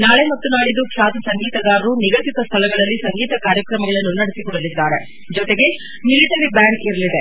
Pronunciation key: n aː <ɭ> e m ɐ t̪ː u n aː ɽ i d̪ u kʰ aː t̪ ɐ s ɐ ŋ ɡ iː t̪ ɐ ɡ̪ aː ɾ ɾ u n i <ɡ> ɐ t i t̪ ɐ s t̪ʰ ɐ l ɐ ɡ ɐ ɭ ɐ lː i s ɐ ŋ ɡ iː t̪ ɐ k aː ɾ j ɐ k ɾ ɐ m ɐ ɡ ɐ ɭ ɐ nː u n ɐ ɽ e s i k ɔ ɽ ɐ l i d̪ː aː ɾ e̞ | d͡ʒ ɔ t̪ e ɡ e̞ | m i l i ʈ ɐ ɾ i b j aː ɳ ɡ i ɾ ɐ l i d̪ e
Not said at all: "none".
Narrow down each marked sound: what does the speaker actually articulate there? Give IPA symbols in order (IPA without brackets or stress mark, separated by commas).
ɭ, ɡ